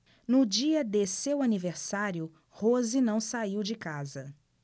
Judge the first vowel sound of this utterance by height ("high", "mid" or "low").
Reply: high